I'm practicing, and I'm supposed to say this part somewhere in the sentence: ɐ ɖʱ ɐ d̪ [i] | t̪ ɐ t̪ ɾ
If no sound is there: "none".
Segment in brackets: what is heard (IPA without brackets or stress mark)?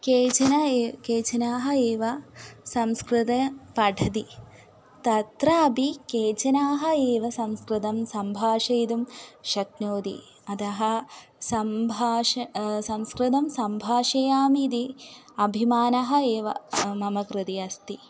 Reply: i